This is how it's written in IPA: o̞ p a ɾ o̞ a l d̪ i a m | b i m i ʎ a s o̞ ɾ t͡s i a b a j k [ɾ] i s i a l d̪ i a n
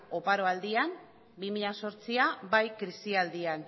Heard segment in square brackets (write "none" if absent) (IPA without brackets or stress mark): ɾ